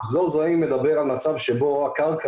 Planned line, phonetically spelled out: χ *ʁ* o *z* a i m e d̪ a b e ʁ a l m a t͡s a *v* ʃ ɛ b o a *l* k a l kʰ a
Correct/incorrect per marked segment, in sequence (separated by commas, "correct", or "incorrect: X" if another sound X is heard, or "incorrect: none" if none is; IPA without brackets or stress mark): incorrect: z, correct, correct, incorrect: none